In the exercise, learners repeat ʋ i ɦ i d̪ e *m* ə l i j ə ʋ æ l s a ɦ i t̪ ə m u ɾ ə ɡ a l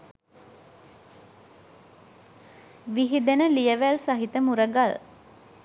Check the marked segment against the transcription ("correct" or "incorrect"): incorrect